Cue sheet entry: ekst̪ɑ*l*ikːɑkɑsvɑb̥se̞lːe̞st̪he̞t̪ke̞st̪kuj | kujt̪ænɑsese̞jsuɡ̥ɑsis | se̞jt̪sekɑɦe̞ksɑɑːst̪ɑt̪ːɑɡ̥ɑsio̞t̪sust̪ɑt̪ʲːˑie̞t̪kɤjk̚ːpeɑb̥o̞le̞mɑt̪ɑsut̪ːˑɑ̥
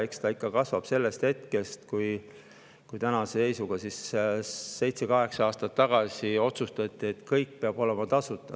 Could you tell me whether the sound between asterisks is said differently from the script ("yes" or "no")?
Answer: yes